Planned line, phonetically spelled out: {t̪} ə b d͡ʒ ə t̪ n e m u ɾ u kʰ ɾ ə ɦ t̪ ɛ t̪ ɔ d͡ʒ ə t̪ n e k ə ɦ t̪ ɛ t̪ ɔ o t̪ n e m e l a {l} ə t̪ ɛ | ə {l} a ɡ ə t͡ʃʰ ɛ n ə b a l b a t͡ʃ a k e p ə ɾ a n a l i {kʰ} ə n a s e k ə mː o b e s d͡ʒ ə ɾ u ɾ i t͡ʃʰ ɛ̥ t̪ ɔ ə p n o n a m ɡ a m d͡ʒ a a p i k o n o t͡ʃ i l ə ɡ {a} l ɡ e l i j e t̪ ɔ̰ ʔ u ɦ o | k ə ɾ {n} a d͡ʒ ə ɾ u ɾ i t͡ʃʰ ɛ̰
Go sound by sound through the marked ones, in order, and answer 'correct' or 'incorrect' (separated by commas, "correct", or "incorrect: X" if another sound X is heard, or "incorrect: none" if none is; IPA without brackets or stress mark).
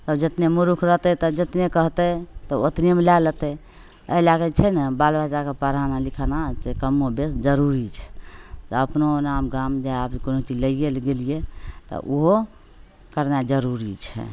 correct, correct, correct, correct, incorrect: e, correct